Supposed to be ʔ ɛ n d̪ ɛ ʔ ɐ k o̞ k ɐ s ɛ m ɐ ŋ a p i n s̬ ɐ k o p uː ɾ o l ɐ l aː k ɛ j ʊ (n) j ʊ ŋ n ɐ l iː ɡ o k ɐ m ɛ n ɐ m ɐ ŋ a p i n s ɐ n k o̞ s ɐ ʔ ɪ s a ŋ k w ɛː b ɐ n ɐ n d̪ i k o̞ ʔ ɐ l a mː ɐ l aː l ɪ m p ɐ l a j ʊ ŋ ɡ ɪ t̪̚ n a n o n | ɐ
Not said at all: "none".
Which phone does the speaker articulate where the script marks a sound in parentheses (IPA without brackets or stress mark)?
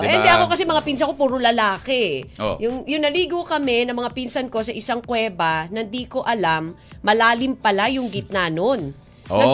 ŋ